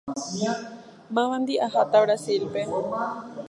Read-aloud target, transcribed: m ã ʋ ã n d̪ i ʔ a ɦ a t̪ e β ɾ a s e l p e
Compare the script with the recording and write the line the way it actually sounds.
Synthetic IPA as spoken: m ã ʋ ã n d̪ i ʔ a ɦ a t̪ a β ɾ a s i l p e